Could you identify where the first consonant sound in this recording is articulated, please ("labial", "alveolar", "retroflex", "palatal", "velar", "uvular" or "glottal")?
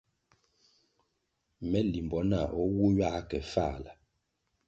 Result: labial